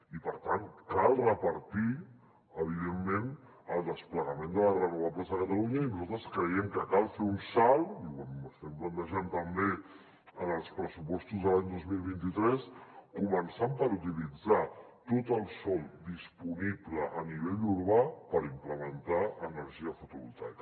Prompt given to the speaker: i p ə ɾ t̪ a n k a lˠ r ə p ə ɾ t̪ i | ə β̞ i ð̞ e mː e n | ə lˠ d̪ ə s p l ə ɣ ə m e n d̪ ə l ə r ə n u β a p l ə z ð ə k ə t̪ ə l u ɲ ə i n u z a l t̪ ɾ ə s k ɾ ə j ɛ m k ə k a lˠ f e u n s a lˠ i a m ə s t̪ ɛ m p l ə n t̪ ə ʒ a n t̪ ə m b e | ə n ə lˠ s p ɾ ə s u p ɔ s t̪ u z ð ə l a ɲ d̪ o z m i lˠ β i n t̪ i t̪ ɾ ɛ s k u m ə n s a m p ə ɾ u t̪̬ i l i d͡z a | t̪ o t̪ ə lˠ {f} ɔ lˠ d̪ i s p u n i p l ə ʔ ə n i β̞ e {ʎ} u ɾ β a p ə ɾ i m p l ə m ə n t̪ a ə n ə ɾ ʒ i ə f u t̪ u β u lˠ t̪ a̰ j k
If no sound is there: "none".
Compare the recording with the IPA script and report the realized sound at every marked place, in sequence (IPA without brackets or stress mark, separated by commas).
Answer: s, ʎ